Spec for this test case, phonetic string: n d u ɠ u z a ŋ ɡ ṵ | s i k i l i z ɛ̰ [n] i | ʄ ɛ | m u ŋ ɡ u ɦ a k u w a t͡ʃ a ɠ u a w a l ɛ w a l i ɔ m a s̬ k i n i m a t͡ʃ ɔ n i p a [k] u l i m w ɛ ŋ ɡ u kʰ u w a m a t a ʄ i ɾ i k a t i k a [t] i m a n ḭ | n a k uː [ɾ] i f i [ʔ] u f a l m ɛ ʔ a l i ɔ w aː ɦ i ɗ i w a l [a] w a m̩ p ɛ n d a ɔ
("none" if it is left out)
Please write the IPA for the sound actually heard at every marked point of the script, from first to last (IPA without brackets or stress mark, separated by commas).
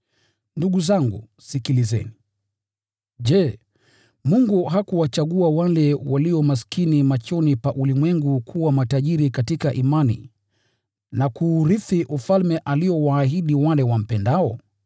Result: n, ʔ, ʔ, ɾ, ʔ, ɛ